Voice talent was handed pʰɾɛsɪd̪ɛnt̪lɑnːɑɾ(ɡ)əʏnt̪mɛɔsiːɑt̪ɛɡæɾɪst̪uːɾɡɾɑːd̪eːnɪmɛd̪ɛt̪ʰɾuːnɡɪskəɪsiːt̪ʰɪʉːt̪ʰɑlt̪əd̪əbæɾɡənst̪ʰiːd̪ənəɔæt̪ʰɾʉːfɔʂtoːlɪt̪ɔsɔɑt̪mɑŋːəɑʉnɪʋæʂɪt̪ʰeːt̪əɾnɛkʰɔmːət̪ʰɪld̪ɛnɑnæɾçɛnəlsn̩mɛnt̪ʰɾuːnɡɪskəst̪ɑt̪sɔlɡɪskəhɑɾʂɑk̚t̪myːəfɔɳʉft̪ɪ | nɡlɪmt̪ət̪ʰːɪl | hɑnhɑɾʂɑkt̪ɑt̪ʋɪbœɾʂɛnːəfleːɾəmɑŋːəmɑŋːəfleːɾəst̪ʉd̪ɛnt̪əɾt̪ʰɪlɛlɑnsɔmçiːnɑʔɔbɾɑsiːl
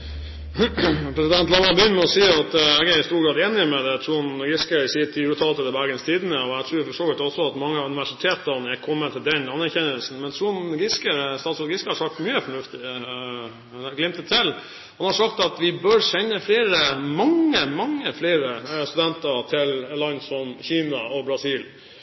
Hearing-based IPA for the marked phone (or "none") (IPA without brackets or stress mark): b